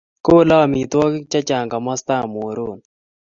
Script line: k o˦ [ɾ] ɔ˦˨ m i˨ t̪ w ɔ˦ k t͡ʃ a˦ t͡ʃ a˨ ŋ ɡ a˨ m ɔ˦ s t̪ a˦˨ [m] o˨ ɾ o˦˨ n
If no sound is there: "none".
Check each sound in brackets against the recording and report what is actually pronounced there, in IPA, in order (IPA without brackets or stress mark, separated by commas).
l, m